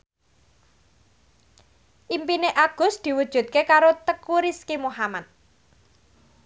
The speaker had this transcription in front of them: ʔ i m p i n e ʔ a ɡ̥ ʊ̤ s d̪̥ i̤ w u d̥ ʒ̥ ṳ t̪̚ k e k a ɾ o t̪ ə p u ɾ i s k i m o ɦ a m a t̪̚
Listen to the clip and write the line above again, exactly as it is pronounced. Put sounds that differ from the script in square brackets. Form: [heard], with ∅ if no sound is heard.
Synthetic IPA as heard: ʔ i m p i n e ʔ a ɡ̥ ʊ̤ s d̪̥ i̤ w u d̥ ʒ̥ ṳ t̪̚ k e k a ɾ o t̪ ə [k] u ɾ i s k i m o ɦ a m a t̪̚

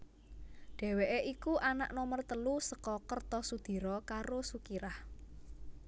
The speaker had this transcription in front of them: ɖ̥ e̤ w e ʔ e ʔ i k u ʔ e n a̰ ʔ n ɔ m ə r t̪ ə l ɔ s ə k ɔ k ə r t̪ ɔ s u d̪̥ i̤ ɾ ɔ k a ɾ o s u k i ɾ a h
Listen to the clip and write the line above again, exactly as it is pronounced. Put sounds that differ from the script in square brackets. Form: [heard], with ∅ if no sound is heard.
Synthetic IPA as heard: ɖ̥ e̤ w e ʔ e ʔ i k u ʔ [a] n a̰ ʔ n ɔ m ə r t̪ ə l [u] s ə k ɔ k ə r t̪ ɔ s u d̪̥ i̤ ɾ ɔ k a ɾ o s u k i ɾ a h

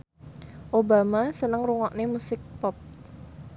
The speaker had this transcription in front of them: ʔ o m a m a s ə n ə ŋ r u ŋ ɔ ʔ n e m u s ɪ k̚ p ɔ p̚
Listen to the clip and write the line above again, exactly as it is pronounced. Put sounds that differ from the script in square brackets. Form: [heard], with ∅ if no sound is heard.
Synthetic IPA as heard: ʔ o [b] a m a s ə n ə ŋ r u ŋ ɔ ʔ n e m u s ɪ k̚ p ɔ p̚

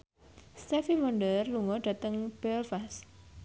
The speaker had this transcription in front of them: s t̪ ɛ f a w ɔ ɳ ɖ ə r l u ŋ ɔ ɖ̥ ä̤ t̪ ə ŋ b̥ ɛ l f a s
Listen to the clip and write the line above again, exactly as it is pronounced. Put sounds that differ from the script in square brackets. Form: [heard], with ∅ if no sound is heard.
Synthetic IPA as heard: s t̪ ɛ f [i] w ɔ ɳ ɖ ə r l u ŋ ɔ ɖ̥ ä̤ t̪ ə ŋ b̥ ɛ l f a s

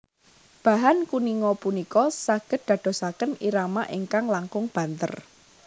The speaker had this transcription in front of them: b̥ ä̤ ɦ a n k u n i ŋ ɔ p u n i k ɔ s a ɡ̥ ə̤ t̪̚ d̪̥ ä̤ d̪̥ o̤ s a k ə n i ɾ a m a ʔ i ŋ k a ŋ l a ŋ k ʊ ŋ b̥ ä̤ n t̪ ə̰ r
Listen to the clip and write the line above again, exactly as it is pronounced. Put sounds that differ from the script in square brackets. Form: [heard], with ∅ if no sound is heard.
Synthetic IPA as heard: b̥ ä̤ ɦ a n k u n i ŋ ɔ p u n i k ɔ s a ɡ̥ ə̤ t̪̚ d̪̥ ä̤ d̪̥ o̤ s a k ə n i ɾ a m a ʔ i ŋ k a ŋ l a ŋ k ʊ ŋ b̥ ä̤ n t̪ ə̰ r

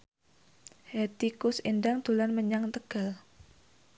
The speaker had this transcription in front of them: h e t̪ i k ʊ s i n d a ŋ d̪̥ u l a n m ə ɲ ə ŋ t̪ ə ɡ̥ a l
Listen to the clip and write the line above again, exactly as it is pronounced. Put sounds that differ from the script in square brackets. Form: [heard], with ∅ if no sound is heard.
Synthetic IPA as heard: h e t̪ i k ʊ s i n d a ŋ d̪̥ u l a n m ə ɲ [a] ŋ t̪ ə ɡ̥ a l

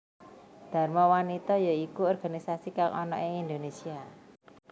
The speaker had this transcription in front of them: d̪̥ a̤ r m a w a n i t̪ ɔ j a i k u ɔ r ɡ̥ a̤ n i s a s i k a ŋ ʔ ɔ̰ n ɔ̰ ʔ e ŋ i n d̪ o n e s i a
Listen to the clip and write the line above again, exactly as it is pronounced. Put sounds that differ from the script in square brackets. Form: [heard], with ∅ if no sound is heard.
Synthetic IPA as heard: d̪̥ a̤ r m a w a n i t̪ ɔ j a i k u ɔ r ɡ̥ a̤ n i s a s i k a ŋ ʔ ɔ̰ n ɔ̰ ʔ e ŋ i n d̪ o n e s i a

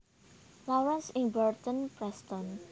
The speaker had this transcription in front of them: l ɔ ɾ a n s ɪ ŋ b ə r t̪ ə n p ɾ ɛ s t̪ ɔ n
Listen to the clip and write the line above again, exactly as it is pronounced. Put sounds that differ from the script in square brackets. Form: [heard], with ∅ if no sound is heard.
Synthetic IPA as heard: l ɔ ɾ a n s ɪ ŋ b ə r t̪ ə n p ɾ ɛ s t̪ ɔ n

